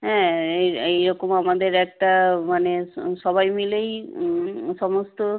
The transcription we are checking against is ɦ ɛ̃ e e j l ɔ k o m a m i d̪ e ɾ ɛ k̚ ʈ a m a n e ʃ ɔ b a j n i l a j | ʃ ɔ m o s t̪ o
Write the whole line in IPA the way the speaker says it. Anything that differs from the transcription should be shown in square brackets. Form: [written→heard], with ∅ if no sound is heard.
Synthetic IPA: ɦ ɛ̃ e e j [l→ɾ] ɔ k o m a m [i→a] d̪ e ɾ ɛ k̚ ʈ a m a n e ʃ ɔ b a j [n→m] i l [a→e] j | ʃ ɔ m o s t̪ o